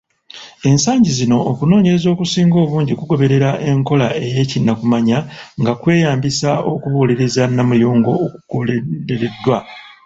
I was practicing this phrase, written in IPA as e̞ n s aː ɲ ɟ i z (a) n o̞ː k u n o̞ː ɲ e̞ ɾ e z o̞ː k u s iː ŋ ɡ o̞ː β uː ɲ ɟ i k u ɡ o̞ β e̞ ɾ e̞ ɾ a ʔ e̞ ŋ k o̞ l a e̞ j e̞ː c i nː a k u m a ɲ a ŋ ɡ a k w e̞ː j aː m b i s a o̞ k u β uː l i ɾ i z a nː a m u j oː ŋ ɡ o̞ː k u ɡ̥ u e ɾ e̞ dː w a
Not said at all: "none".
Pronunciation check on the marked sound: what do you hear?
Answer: i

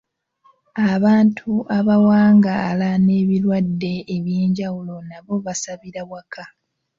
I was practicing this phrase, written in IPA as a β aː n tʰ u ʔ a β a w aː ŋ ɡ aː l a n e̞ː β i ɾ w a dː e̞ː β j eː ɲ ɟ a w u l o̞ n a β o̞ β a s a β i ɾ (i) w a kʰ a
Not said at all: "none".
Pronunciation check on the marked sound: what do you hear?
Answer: a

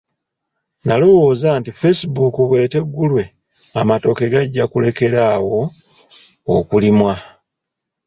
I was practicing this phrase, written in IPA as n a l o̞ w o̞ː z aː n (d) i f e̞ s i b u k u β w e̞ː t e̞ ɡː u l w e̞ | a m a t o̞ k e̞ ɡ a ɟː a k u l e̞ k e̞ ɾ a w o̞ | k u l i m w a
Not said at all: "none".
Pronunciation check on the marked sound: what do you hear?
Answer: t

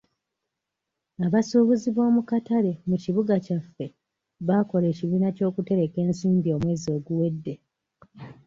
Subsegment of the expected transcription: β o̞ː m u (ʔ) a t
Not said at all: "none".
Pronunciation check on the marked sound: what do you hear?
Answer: k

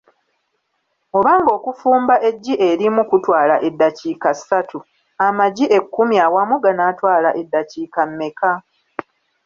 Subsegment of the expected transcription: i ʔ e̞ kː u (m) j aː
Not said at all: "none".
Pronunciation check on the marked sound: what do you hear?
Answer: m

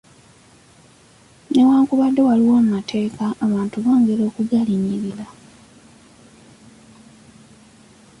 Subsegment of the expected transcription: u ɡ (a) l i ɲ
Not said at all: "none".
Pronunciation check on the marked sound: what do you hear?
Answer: a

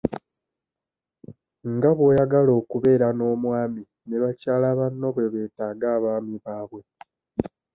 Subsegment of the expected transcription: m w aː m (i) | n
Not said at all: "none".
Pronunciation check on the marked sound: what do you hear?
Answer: i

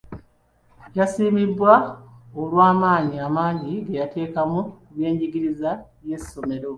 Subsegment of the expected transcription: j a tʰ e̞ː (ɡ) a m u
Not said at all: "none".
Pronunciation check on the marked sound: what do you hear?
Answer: k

